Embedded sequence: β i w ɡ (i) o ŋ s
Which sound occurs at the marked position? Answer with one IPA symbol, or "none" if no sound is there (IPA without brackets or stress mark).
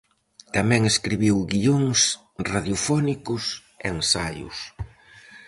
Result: i